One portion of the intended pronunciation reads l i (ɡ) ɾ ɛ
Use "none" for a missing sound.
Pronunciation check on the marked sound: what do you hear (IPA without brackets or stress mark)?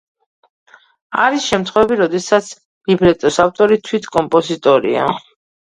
b